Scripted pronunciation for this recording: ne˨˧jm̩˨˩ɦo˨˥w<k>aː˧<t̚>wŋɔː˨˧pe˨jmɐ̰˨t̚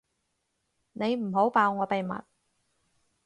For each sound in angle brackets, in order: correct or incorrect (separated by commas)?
incorrect, incorrect